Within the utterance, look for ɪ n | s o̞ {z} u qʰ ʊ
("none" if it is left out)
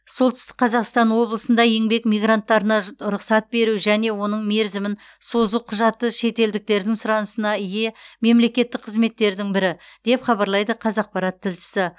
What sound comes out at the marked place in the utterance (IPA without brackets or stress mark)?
z